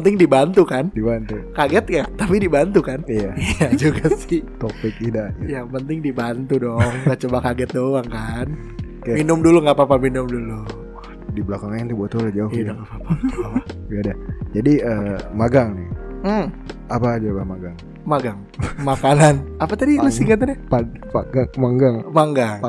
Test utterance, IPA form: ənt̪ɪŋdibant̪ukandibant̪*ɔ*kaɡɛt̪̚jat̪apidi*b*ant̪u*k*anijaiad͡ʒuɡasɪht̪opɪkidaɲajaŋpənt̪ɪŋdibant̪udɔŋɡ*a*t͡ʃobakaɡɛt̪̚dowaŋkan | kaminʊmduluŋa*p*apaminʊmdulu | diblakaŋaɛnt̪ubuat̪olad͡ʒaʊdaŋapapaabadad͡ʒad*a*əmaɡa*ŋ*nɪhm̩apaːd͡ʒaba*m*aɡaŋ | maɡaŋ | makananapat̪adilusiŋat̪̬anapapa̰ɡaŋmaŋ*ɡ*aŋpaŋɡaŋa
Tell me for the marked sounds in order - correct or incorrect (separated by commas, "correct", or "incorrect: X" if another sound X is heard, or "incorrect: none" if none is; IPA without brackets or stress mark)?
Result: incorrect: u, correct, correct, correct, correct, incorrect: i, correct, correct, correct